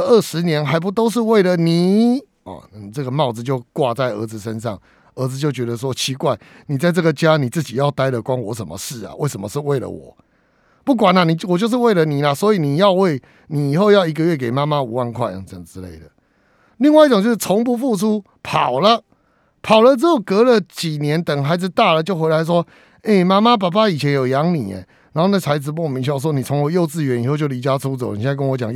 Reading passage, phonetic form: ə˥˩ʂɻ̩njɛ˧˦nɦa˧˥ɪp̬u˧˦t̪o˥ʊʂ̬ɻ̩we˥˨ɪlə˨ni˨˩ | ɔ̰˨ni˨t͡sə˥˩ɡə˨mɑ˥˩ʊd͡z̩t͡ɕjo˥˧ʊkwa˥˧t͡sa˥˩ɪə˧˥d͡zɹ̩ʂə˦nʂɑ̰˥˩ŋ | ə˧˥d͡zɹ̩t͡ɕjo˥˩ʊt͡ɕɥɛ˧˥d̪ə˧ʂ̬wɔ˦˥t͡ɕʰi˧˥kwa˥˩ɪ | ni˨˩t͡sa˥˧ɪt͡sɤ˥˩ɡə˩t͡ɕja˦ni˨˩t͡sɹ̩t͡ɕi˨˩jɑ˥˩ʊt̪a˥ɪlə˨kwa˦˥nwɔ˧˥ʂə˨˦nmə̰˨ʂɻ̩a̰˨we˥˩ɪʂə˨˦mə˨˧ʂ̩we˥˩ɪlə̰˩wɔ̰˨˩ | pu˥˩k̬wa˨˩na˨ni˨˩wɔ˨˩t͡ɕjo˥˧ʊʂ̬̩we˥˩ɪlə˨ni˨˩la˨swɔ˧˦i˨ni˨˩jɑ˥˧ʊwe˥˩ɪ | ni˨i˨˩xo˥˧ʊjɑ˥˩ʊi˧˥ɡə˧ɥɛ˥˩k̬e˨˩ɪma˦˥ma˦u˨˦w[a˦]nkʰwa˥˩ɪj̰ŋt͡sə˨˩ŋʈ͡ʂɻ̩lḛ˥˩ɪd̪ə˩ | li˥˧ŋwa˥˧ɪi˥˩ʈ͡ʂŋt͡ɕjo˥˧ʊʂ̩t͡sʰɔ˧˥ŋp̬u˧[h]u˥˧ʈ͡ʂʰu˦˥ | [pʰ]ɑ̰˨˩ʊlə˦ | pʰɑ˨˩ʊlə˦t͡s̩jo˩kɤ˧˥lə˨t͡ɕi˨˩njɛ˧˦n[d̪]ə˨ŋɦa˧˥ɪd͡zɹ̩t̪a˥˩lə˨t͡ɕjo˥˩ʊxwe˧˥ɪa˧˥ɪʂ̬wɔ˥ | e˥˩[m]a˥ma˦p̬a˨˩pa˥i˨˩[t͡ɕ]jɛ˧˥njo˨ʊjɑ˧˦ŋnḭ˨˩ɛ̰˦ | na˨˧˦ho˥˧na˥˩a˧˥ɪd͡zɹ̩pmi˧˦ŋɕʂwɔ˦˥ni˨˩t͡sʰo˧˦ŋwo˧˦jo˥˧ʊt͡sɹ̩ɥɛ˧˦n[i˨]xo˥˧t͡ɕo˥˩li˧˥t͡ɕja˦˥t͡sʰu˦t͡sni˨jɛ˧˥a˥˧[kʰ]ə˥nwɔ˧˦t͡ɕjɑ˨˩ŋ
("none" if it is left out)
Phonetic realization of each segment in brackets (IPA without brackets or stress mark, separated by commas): a˥˨, f, pʰ, t̪, m, t͡ɕʰ, i˨, k